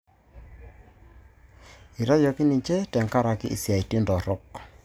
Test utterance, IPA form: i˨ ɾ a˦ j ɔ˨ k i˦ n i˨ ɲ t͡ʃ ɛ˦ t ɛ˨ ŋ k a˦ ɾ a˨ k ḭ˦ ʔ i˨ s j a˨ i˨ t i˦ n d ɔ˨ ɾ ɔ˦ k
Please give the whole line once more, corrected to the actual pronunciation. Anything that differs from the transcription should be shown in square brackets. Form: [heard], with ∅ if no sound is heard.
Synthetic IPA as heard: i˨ ɾ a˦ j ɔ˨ k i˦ n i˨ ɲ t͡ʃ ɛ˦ t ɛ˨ ŋ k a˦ ɾ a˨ k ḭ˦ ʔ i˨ s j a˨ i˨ t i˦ n d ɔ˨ ɾ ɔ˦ k